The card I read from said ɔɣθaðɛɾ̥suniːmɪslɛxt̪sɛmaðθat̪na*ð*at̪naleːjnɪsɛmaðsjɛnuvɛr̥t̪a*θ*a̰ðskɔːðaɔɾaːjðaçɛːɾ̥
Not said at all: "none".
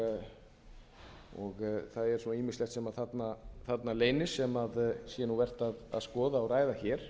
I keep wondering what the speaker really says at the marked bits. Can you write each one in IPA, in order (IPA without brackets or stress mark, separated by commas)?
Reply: θ, ð